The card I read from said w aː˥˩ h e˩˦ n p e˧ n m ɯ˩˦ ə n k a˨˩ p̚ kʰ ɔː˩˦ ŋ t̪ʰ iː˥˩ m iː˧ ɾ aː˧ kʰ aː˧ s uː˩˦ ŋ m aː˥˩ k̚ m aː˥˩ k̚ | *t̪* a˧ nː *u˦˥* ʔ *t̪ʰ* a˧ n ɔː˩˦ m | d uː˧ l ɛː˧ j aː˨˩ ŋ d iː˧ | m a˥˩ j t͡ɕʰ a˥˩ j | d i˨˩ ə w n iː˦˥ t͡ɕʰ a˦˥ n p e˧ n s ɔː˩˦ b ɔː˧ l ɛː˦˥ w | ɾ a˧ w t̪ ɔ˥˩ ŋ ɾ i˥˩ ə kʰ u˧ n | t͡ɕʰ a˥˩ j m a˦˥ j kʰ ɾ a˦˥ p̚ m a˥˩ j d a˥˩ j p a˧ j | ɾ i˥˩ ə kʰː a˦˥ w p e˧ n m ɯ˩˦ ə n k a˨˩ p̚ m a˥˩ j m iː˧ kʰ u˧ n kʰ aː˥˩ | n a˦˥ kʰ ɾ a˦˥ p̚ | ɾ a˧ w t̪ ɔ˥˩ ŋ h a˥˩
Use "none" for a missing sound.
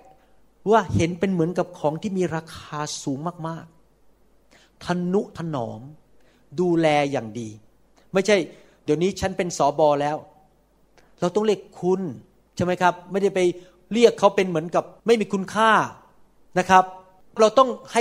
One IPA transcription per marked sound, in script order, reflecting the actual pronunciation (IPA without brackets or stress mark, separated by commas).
t̪ʰ, u˦˥, t̪ʰ